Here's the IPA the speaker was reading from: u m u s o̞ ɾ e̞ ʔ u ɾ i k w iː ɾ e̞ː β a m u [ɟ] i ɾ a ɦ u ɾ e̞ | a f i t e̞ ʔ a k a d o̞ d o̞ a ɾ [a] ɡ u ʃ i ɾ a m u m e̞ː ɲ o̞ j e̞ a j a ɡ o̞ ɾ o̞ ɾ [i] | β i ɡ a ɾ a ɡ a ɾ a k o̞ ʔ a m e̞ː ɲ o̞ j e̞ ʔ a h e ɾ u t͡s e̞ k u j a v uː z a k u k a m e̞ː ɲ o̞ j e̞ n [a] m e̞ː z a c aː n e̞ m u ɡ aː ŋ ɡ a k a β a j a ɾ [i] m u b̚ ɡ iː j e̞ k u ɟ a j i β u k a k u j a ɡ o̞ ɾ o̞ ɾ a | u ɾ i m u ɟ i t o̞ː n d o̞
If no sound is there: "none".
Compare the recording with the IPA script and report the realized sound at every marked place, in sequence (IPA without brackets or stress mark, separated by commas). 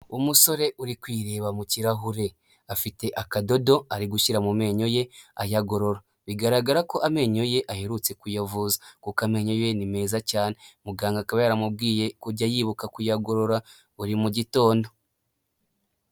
c, i, a, i, a